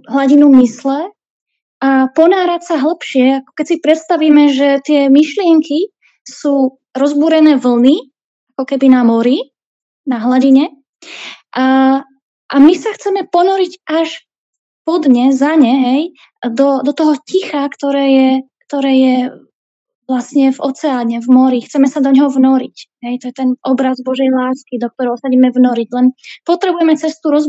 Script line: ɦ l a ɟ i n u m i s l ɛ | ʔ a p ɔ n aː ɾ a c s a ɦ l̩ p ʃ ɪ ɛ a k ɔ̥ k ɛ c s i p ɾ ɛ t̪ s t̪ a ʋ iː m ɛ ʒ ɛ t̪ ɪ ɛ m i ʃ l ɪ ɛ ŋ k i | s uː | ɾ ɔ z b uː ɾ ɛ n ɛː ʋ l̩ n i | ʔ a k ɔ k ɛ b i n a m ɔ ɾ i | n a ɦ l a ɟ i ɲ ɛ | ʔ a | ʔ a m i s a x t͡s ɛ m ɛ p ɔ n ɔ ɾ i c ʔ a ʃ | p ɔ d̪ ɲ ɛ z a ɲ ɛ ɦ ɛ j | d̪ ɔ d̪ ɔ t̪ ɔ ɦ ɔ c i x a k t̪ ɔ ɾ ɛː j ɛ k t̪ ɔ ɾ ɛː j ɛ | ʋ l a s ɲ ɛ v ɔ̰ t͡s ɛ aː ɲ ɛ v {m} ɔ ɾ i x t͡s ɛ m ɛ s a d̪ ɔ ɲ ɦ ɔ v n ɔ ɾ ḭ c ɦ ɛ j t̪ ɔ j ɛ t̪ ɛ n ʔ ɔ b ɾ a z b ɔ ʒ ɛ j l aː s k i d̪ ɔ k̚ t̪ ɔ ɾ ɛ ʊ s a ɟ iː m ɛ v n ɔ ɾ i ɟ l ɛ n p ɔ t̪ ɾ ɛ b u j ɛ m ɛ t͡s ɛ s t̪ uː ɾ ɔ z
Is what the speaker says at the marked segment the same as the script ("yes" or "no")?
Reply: yes